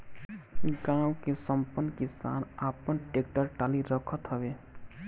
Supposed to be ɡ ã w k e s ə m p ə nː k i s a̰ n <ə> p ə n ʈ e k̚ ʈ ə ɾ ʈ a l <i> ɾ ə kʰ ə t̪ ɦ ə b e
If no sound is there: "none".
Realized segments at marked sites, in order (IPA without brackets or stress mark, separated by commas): a, i